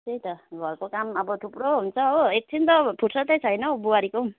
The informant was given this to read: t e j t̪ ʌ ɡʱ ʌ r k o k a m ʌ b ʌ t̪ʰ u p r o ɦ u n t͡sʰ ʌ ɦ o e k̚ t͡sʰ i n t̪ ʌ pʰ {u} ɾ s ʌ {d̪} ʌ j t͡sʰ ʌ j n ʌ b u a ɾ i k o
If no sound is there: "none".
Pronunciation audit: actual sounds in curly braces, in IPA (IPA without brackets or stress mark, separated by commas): u, t̪